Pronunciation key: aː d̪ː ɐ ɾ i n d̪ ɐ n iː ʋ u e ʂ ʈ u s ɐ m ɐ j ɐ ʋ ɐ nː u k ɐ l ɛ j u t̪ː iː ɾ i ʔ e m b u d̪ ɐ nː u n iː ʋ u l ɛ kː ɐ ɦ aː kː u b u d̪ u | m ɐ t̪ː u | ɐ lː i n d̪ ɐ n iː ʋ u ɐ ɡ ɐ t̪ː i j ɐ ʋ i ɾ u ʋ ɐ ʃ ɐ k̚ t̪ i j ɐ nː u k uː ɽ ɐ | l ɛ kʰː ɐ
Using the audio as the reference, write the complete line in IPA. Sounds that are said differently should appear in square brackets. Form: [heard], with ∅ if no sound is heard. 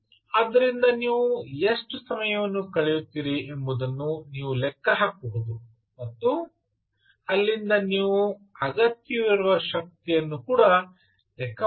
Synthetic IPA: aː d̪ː ɐ ɾ i n d̪ ɐ n iː ʋ u e ʂ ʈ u s ɐ m ɐ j ɐ ʋ ɐ nː u k ɐ [ɭ] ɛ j u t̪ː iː ɾ i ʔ e m b u d̪ ɐ nː u n iː ʋ u l ɛ kː ɐ ɦ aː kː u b u d̪ u | m ɐ t̪ː u | ɐ lː i n d̪ ɐ n iː ʋ u ɐ ɡ ɐ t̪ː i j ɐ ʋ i ɾ u ʋ ɐ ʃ ɐ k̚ t̪ i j ɐ nː u k uː ɽ ɐ | l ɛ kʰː ɐ